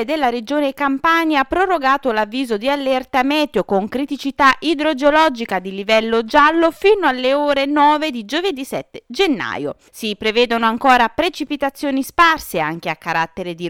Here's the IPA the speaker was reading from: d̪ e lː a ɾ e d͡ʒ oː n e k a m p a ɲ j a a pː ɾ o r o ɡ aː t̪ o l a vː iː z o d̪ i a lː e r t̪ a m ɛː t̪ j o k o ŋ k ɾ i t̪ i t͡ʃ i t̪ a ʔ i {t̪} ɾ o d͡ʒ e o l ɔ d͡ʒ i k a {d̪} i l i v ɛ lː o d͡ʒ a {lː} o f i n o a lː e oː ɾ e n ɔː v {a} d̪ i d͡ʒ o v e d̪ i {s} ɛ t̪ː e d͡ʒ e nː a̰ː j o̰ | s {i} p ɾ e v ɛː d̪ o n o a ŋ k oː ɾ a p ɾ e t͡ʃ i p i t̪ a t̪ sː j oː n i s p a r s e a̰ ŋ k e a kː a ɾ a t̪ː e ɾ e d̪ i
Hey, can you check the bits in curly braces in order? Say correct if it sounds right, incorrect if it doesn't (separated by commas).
incorrect, correct, correct, incorrect, correct, correct